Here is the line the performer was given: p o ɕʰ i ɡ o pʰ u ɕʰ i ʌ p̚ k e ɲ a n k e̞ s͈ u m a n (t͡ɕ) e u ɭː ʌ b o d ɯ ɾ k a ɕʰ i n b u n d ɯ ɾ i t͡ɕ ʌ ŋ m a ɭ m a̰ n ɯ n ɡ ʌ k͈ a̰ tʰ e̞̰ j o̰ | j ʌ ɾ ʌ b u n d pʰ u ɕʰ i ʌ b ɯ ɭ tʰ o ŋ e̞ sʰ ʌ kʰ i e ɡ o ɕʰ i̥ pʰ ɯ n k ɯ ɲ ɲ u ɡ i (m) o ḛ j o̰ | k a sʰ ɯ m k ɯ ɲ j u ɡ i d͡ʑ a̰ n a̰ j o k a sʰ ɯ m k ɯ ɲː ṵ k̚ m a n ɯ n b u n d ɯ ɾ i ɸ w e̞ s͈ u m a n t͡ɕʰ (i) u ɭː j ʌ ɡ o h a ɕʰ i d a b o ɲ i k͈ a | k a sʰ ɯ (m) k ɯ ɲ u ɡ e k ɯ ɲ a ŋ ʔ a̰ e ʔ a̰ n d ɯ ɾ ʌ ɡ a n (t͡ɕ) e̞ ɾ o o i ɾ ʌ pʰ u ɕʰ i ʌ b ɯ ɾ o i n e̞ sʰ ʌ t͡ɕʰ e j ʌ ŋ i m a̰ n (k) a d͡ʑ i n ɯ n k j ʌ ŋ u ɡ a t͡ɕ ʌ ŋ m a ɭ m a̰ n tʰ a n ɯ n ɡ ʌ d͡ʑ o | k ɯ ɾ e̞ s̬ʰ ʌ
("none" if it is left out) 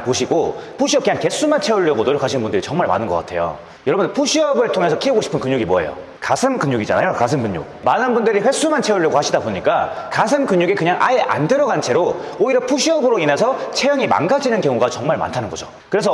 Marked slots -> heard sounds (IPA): t͡ɕʰ, m, e, m, t͡ɕʰ, ɡ

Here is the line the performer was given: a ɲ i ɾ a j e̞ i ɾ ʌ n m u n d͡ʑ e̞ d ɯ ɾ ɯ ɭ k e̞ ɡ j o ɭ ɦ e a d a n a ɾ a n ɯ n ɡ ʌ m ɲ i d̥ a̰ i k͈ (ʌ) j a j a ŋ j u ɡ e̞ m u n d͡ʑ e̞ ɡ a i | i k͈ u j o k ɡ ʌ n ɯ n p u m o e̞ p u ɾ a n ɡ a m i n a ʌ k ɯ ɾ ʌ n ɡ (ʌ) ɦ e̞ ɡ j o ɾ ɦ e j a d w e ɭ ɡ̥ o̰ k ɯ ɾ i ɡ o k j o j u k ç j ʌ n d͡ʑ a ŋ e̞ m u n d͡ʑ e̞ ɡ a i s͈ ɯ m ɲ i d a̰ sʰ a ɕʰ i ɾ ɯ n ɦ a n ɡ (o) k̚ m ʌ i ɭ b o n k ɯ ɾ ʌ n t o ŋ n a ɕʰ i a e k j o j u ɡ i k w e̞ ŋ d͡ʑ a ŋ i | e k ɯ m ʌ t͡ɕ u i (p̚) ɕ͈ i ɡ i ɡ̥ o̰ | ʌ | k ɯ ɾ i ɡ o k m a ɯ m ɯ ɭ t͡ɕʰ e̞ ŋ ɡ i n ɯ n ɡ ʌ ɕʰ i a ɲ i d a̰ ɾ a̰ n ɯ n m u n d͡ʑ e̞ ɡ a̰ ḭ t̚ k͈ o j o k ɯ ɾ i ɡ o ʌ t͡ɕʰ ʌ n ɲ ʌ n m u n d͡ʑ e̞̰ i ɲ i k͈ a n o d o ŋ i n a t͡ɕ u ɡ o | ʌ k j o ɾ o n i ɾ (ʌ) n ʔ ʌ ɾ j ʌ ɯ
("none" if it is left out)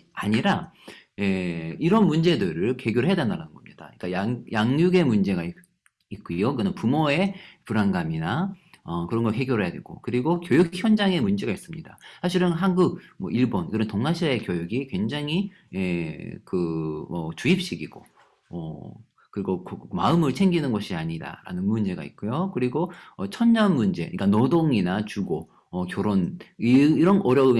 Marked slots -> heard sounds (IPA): a, ʌ, u, p̚, ʌ

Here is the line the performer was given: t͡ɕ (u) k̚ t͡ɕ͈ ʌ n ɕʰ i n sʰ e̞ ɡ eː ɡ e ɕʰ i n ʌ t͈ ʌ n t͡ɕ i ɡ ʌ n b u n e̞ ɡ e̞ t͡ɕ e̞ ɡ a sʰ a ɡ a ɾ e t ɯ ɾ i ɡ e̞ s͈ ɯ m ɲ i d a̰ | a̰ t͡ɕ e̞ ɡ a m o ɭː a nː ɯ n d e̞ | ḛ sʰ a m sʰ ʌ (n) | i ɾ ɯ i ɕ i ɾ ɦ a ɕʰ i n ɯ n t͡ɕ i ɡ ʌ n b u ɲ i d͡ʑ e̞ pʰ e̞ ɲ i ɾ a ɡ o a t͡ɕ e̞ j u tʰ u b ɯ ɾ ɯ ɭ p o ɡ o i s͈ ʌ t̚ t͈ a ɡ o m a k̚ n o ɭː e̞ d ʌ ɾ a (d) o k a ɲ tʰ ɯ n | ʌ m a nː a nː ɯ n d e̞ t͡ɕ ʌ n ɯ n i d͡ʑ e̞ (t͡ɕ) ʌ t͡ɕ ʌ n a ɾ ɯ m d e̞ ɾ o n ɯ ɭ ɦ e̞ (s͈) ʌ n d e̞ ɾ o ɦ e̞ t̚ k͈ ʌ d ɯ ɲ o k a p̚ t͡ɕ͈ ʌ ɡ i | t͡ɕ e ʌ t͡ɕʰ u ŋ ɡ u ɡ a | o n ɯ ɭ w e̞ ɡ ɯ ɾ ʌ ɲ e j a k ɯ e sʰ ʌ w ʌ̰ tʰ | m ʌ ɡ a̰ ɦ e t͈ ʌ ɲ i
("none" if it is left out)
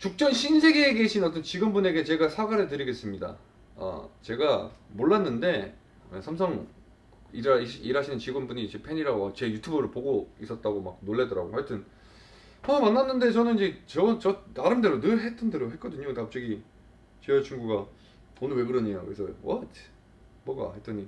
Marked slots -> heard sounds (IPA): u, ŋ, ɡ, t͡ɕ, t͈

